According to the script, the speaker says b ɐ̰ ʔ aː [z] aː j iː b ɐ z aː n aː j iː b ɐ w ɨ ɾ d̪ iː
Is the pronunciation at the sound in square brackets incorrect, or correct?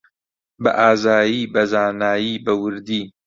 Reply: correct